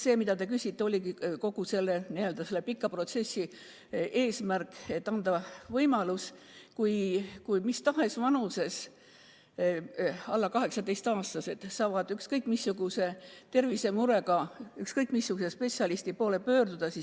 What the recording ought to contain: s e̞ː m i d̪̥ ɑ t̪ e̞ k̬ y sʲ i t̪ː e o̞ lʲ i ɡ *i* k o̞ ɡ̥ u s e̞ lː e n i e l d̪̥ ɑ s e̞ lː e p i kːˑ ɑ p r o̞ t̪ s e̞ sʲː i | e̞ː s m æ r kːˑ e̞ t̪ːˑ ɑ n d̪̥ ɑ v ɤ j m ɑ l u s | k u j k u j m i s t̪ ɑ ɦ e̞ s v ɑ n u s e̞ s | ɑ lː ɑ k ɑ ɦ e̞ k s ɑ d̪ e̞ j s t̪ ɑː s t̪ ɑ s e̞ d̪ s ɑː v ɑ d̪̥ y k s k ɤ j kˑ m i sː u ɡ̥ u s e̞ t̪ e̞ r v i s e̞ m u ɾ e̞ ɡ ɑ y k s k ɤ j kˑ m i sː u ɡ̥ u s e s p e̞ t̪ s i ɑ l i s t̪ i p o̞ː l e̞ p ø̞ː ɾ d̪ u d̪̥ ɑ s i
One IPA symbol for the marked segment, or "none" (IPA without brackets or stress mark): i